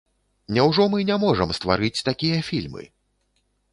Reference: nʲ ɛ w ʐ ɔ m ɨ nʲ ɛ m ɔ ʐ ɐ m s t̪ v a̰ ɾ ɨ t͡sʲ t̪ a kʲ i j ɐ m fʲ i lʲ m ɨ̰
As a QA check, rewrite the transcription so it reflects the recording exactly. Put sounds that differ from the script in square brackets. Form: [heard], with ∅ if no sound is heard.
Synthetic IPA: nʲ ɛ w ʐ ɔ m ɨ nʲ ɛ m ɔ ʐ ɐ m s t̪ v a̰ ɾ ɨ t͡sʲ t̪ a kʲ i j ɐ [∅] fʲ i lʲ m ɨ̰